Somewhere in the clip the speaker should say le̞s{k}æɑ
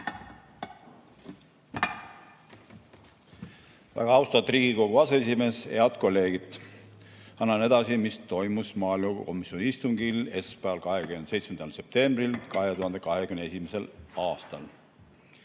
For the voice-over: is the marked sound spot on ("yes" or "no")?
no